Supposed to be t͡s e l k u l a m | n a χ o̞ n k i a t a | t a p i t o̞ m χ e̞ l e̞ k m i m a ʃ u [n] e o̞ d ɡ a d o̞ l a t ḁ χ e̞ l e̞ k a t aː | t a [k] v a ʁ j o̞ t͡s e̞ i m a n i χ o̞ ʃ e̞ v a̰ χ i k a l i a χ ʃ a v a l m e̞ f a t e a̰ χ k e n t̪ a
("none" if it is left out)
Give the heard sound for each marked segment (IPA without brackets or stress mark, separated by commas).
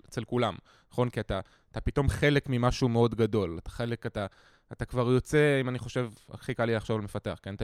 m, k